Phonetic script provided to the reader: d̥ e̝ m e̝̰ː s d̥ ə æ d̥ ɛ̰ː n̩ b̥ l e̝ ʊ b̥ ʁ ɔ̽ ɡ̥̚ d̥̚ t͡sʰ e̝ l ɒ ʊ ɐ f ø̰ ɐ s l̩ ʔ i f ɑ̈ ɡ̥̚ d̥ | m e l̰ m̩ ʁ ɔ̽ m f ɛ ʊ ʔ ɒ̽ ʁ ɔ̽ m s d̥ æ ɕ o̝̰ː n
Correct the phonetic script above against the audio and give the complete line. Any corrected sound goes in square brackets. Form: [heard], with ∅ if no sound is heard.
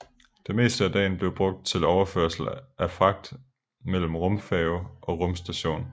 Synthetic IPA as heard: d̥ e̝ m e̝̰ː s d̥ ə æ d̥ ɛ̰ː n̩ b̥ l e̝ ʊ b̥ ʁ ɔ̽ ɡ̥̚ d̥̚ t͡sʰ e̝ l ɒ ʊ ɐ f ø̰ ɐ s l̩ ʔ [æ] f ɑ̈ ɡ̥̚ d̥ | m e l̰ m̩ ʁ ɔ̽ m f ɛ ʊ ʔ ɒ̽ ʁ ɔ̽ m s d̥ æ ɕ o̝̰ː n